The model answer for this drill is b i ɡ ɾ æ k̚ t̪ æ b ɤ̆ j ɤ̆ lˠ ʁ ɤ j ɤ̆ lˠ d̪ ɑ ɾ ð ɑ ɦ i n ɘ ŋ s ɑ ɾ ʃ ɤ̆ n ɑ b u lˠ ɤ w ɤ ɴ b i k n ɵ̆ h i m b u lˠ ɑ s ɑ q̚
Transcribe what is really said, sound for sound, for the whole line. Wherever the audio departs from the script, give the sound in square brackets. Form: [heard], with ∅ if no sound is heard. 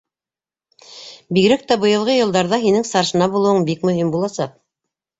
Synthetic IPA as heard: b i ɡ ɾ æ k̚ t̪ æ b ɤ̆ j ɤ̆ lˠ ʁ ɤ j ɤ̆ lˠ d̪ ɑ ɾ ð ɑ ɦ i n ɘ ŋ s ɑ ɾ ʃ ɤ̆ n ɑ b u lˠ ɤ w ɤ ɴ b i k [m] ɵ̆ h i m b u lˠ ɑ s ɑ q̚